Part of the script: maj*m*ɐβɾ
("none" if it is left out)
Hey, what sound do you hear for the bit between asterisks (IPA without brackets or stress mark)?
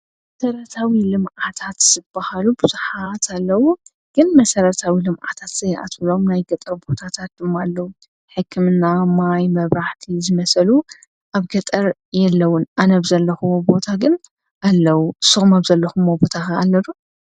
m